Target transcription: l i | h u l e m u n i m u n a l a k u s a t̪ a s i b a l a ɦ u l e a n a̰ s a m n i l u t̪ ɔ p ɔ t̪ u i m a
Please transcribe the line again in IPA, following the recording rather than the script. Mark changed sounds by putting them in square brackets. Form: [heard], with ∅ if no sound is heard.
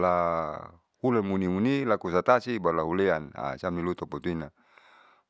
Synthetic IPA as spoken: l [a] | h u l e m u n i m u n [i] l a k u s a t̪ a s i b a l a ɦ u l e a n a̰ s a m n i l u t̪ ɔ p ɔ t̪ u i [n] a

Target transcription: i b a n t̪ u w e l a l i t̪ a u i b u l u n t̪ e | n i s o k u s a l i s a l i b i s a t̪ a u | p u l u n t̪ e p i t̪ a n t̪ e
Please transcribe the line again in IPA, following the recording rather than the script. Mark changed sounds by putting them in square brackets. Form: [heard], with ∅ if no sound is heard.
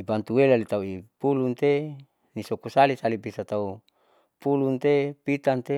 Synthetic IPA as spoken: i b a n t̪ u w e l a l i t̪ a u i [p] u l u n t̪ e | n i s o k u s a l i s a l i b i s a t̪ a u | p u l u n t̪ e p i t̪ a n t̪ e

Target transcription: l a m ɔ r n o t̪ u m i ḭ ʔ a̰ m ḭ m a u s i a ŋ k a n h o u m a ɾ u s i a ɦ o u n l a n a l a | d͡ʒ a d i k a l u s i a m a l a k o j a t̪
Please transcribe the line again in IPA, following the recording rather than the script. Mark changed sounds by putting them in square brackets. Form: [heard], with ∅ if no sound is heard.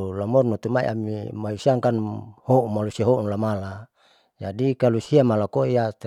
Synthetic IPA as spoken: l a m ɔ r n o t̪ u m [a] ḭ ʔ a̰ m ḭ m a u s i a ŋ k a n h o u m a [l] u s i a ɦ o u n l a [m] a l a | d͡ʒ a d i k a l u s i a m a l a k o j a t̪

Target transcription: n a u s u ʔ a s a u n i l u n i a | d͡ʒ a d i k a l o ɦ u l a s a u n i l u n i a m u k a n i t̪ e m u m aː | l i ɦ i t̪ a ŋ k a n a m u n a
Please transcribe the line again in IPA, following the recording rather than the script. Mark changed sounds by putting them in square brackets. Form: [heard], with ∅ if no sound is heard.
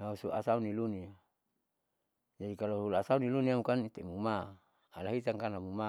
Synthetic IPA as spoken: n a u s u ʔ a s a u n i l u n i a | d͡ʒ a d i k a l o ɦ u l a s a u n i l u n i a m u k a n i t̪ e m u m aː | l [a] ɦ i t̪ a ŋ k a n a m u [m] a

